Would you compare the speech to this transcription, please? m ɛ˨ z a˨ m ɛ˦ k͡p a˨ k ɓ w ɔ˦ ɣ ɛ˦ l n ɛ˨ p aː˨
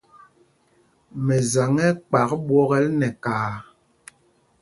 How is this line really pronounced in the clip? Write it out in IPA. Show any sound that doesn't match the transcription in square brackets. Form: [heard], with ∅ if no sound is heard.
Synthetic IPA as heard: m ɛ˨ z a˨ [ŋ] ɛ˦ k͡p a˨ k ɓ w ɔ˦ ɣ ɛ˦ l n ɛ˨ [k] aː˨